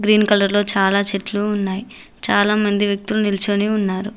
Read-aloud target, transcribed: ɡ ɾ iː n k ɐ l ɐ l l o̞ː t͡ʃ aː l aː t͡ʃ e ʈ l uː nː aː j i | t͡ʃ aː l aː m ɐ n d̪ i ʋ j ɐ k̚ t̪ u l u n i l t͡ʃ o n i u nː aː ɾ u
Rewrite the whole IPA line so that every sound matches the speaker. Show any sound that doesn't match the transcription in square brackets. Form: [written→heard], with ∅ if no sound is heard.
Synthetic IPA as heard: ɡ ɾ iː n k ɐ l ɐ [l→ɾ] l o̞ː t͡ʃ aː l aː t͡ʃ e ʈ l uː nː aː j i | t͡ʃ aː l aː m ɐ n d̪ i ʋ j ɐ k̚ t̪ u l u n i l t͡ʃ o n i u nː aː ɾ u